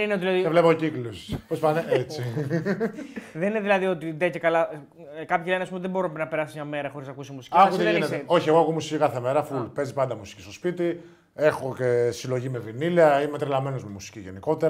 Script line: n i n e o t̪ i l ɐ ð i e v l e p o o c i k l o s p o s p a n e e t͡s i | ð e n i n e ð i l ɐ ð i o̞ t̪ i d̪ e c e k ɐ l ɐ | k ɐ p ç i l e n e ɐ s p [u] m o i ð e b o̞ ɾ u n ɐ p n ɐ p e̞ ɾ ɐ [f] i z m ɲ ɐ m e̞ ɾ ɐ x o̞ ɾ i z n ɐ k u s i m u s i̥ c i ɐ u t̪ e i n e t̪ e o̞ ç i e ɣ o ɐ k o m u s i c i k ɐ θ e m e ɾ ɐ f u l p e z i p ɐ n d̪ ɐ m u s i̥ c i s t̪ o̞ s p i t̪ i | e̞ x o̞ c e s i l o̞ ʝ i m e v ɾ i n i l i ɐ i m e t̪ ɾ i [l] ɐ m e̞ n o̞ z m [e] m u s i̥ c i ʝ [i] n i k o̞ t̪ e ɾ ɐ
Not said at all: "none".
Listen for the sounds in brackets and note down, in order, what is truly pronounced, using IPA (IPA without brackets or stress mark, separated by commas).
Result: u, s, l, e, e